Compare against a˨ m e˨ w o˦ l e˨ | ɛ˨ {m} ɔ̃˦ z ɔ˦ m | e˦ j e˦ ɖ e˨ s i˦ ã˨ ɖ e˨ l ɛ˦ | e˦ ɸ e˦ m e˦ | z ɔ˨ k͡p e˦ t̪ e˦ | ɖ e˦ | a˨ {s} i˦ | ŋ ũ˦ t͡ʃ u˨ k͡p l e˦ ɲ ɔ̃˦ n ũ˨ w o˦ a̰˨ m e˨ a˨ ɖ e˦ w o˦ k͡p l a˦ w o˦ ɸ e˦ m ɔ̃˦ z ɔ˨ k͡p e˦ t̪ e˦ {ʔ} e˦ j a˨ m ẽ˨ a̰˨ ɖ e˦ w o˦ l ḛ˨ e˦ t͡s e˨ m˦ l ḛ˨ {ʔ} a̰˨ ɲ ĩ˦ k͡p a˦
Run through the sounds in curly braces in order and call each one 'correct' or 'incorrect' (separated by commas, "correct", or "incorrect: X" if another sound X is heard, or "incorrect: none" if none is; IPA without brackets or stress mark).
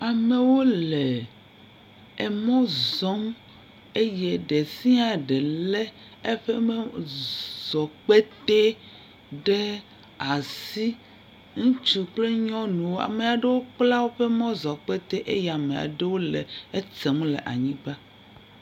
correct, correct, correct, correct